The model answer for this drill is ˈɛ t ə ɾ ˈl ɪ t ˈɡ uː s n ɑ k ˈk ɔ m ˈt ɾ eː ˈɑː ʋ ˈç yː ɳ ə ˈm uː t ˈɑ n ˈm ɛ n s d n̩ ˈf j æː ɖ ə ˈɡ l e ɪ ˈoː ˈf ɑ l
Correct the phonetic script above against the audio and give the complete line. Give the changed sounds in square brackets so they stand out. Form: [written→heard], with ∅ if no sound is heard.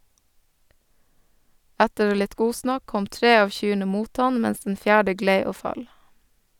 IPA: [ˈɛ→ˈæ] t ə ɾ ˈl ɪ t ˈɡ uː s n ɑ k ˈk ɔ m ˈt ɾ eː ˈɑː ʋ ˈç yː ɳ ə ˈm uː t ˈɑ n ˈm ɛ n s d n̩ ˈf j æː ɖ ə ˈɡ l e ɪ ˈoː ˈf ɑ l